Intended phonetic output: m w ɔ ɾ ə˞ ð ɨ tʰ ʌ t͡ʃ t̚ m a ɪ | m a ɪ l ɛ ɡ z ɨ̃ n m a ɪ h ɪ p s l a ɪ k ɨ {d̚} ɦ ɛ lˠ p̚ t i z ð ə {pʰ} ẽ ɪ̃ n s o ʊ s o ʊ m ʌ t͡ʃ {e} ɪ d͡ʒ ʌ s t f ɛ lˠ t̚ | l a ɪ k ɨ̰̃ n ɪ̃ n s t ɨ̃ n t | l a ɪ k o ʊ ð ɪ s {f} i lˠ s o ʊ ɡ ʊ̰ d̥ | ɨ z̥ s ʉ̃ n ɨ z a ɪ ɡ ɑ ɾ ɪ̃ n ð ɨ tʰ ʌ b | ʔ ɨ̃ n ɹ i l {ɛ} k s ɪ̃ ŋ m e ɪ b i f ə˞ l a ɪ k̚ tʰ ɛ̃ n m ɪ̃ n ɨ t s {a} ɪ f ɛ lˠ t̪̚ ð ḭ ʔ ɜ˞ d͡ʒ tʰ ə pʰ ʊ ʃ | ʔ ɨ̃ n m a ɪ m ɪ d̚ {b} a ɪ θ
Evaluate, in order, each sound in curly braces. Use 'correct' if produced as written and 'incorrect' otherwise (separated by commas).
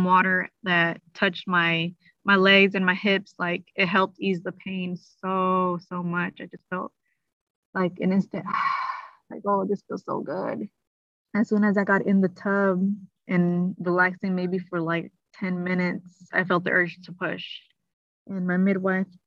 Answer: incorrect, correct, incorrect, correct, incorrect, correct, incorrect